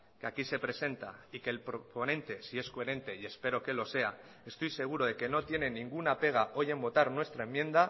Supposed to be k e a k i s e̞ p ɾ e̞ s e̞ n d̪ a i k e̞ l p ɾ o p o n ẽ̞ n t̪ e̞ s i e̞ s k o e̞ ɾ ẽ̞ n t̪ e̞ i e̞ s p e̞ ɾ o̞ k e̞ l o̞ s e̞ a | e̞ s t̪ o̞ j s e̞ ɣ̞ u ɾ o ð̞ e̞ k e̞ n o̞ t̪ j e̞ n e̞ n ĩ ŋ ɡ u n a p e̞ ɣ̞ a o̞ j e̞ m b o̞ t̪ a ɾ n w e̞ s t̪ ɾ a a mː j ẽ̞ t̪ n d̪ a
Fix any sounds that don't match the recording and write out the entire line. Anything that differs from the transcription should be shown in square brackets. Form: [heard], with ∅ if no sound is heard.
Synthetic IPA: k e a k i s e̞ p ɾ e̞ s e̞ n [t̪] a i k e̞ l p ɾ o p o n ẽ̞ n t̪ e̞ s i e̞ s k o e̞ ɾ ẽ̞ n t̪ e̞ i e̞ s p e̞ ɾ o̞ k e̞ l o̞ s e̞ a | e̞ s t̪ o̞ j s e̞ ɣ̞ u ɾ o ð̞ e̞ k e̞ n o̞ t̪ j e̞ n e̞ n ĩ ŋ ɡ u n a p e̞ ɣ̞ a o̞ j e̞ m b o̞ t̪ a ɾ n w e̞ s t̪ ɾ a [e] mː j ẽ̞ [∅] n d̪ a